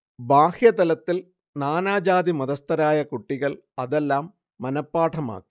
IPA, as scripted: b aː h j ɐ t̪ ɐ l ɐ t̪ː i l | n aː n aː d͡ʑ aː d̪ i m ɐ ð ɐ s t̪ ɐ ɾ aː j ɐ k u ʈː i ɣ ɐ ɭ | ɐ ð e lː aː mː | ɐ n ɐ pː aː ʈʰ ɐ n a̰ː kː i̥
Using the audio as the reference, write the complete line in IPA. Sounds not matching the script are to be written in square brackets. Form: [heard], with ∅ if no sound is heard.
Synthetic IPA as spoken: b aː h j ɐ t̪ ɐ l ɐ t̪ː i l | n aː n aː d͡ʑ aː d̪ i m ɐ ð ɐ s t̪ ɐ ɾ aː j ɐ k u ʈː i ɣ ɐ ɭ | ɐ ð e lː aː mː | ɐ n ɐ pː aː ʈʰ ɐ [m] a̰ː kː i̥

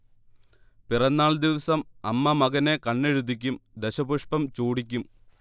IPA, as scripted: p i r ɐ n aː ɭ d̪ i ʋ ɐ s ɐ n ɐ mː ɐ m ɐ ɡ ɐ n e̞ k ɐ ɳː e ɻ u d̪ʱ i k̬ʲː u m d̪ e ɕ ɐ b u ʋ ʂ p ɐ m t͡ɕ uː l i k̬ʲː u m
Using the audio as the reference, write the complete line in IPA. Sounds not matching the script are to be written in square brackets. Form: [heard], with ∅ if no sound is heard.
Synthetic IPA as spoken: p i r ɐ [nː] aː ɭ d̪ i ʋ ɐ s ɐ [m] ɐ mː ɐ m ɐ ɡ ɐ n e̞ k ɐ ɳː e ɻ u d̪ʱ i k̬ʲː u m d̪ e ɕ ɐ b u [∅] ʂ p ɐ m t͡ɕ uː [ɽ] i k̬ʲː u m

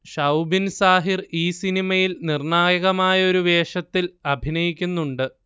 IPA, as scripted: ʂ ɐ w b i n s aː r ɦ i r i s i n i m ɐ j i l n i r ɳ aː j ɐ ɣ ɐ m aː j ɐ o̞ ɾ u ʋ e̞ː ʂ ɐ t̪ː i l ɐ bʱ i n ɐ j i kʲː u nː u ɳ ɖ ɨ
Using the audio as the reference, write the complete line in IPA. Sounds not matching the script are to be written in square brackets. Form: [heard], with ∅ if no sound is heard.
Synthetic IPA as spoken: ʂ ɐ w b i n s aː [∅] ɦ i r [iː] s i n i m ɐ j i l n i r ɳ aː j ɐ ɣ ɐ m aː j ɐ o̞ ɾ u ʋ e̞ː ʂ ɐ t̪ː i l ɐ bʱ i n ɐ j i kʲː u nː u ɳ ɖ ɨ

